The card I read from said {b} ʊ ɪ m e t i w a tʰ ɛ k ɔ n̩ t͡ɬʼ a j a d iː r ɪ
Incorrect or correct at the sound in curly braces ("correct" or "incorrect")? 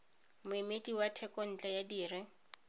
incorrect